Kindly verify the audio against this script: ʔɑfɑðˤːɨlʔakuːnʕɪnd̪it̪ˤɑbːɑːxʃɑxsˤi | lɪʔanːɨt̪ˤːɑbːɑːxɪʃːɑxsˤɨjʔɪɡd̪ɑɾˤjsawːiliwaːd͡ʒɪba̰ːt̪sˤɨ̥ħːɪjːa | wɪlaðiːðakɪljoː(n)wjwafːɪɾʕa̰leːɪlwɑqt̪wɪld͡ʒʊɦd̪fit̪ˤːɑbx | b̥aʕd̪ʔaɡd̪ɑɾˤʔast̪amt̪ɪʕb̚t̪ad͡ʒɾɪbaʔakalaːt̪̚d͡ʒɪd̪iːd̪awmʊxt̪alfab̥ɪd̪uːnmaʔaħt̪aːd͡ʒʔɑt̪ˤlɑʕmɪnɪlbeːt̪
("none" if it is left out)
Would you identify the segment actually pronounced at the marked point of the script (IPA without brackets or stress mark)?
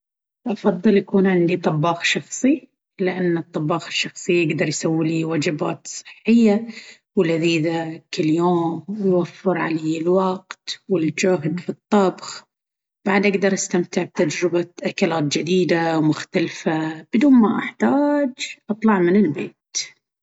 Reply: m